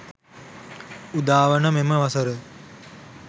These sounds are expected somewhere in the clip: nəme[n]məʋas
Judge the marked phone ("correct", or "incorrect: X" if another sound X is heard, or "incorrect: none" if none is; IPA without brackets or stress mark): incorrect: none